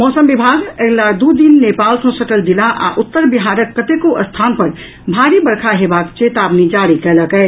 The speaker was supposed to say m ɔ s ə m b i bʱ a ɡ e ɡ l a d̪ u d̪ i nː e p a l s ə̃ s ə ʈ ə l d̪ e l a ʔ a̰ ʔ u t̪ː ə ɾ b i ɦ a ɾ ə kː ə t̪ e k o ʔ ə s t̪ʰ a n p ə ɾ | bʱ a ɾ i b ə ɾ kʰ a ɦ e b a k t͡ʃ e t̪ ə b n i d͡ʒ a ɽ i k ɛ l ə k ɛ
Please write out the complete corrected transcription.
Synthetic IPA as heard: m ɔ s ə m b i bʱ a ɡ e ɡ l a d̪ u d̪ i nː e p a l s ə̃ s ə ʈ ə l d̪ i l a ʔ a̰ ʔ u t̪ː ə ɾ b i ɦ a ɾ ə kː ə t̪ e k o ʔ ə s t̪ʰ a n p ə ɾ | bʱ a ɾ i b ə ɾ kʰ a ɦ e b a k t͡ʃ e t̪ a b n i d͡ʒ a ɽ i k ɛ l ə k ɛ